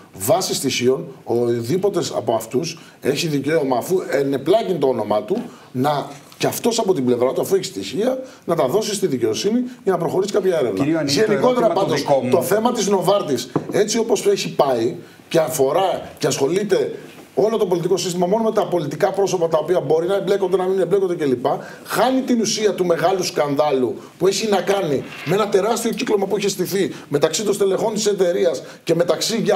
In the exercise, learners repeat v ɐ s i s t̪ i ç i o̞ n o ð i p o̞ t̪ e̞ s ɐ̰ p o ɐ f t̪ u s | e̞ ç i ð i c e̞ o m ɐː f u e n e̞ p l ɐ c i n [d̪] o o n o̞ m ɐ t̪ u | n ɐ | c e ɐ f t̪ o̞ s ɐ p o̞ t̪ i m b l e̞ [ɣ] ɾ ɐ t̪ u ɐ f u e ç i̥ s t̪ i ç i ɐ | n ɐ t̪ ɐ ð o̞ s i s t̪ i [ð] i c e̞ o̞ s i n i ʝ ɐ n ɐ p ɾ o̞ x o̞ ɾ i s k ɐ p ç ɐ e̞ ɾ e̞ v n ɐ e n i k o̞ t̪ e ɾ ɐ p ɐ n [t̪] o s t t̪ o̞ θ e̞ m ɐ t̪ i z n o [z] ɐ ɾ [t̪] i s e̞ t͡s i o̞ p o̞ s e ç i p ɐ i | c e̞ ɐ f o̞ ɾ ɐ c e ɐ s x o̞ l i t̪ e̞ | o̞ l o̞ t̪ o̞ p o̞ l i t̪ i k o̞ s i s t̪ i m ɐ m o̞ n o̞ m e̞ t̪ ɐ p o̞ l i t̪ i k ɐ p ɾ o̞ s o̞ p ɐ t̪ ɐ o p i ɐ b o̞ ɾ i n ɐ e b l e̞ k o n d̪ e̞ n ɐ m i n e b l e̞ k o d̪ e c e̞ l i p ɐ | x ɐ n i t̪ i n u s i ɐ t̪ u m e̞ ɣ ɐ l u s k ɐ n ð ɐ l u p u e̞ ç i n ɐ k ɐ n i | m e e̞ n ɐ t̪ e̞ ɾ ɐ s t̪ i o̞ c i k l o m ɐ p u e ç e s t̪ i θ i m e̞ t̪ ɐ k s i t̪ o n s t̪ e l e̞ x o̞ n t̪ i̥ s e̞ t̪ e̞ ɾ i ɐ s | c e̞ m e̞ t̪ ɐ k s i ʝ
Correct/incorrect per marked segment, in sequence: incorrect: t̪, incorrect: v, correct, incorrect: d̪, incorrect: v, correct

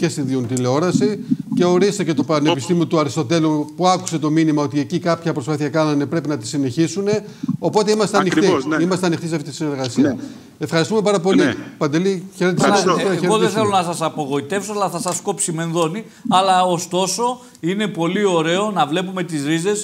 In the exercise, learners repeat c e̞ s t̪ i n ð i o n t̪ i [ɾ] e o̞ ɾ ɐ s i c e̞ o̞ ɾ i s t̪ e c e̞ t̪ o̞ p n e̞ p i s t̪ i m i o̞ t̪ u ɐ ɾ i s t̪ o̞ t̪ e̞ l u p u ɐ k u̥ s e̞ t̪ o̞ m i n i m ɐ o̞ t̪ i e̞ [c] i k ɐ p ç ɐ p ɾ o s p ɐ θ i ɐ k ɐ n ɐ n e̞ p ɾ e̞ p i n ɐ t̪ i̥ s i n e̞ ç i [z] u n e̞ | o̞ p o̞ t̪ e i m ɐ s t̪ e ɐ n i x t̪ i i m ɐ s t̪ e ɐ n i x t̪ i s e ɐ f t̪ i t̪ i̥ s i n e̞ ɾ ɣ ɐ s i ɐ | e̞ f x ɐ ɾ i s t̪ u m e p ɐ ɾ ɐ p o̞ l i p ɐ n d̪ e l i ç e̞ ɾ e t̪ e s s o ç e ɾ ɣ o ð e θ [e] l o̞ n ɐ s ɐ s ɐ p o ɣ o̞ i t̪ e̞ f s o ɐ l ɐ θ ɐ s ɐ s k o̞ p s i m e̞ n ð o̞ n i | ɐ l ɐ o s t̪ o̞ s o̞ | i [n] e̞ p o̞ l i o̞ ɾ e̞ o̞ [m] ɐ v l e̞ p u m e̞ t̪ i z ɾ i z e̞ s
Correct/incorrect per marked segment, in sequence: incorrect: l, correct, incorrect: s, correct, correct, incorrect: n

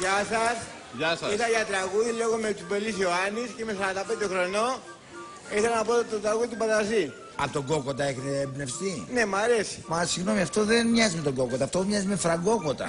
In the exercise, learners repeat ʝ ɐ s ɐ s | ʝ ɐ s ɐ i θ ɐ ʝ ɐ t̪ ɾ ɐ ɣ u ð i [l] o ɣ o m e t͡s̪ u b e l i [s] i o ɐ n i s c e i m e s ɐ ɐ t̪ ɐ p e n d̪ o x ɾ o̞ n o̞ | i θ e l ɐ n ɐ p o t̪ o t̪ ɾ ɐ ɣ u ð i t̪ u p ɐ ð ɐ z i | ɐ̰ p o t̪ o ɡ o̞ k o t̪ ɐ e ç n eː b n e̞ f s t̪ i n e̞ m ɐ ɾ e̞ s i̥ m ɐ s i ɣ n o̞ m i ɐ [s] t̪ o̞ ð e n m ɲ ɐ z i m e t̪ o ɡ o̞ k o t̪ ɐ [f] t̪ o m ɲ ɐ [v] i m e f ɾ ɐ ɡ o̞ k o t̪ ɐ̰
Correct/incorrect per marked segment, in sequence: correct, correct, incorrect: f, correct, incorrect: z

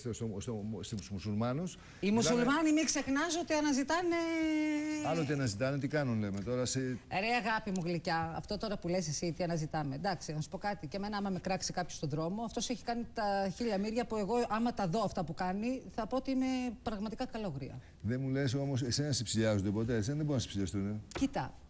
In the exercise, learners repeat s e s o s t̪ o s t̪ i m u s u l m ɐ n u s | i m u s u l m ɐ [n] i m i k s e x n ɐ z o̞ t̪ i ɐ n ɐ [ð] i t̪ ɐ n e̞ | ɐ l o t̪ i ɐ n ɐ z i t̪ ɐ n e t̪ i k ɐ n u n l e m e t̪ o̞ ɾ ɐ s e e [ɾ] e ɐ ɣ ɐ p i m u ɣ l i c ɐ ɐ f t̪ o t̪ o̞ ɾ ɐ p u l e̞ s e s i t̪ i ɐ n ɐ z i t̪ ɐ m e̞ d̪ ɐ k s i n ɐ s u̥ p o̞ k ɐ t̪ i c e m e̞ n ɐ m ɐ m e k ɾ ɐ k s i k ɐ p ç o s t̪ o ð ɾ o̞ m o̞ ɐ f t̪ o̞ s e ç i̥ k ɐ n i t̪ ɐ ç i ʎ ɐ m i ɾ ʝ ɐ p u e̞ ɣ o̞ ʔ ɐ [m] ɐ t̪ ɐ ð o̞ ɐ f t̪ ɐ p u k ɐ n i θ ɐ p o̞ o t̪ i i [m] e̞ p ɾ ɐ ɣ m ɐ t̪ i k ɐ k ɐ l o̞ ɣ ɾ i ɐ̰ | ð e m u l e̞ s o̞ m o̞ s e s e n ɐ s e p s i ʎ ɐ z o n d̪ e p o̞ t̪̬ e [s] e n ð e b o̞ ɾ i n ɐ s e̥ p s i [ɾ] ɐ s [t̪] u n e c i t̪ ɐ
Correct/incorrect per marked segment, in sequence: correct, incorrect: z, correct, correct, correct, correct, incorrect: ʎ, correct

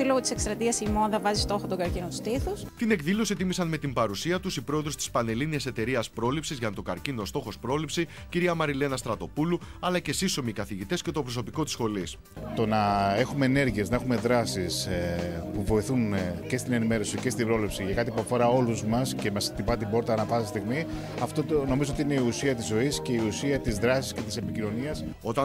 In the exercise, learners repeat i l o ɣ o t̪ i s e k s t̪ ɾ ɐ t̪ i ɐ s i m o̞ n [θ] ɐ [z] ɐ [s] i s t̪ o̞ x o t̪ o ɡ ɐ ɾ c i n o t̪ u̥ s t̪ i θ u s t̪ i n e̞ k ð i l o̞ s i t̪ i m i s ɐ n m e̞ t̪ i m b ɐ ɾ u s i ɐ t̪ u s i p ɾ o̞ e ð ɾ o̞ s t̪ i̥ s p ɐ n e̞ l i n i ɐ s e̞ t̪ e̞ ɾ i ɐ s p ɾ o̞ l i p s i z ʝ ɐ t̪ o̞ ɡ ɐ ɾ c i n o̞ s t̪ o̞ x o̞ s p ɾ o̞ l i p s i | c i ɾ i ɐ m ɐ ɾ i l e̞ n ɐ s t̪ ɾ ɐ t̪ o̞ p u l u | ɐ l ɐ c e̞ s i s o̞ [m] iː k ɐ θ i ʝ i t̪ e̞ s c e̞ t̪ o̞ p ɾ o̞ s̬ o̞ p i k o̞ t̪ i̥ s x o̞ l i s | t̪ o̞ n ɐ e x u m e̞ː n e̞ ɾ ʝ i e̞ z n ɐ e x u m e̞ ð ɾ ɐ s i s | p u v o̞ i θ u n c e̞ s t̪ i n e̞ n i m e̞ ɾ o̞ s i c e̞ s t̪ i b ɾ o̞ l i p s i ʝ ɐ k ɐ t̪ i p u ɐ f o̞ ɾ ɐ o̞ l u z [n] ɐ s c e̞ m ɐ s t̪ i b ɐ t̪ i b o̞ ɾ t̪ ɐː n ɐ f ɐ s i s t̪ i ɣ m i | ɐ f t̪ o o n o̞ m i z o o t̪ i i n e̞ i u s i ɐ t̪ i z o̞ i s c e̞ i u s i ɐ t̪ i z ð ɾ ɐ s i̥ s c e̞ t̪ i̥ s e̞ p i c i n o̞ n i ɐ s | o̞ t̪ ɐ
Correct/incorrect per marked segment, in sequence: incorrect: ð, incorrect: v, incorrect: z, correct, incorrect: m

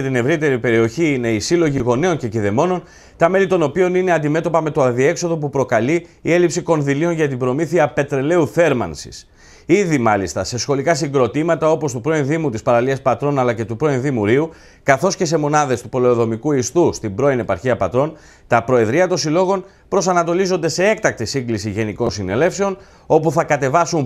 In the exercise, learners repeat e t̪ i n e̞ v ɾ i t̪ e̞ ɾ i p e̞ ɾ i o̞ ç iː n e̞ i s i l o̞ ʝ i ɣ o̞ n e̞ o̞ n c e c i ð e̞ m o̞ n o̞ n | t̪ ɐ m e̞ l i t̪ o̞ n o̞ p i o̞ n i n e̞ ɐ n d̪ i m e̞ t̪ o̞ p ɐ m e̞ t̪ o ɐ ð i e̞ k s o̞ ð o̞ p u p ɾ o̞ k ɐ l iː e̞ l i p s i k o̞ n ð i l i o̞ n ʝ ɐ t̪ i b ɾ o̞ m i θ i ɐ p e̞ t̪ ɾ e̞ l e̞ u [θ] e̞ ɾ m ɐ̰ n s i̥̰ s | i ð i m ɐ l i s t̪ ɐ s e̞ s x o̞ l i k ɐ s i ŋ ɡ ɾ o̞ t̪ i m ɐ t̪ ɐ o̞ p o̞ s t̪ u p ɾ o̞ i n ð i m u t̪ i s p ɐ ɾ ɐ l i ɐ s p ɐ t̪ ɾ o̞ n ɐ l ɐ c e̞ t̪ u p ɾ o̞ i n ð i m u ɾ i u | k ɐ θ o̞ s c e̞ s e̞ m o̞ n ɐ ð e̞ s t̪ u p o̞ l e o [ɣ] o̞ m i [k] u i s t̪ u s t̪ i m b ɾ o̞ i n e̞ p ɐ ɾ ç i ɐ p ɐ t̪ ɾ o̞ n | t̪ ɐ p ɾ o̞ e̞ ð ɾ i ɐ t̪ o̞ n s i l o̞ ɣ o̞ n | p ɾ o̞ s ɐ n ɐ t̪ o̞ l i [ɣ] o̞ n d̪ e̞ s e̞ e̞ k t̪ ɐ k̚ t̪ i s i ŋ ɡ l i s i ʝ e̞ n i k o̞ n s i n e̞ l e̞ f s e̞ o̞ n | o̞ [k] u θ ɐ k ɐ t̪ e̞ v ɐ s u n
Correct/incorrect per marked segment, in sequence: correct, incorrect: ð, correct, incorrect: z, incorrect: p

